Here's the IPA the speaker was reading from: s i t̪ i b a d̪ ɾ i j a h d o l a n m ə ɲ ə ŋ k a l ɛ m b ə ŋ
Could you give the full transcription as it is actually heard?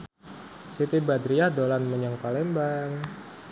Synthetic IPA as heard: s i t̪ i b a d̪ ɾ i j a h d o l a n m ə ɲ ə ŋ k a l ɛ m b a ŋ